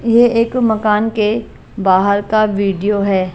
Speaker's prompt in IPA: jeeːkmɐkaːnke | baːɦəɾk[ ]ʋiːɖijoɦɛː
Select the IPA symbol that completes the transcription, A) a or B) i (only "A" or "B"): A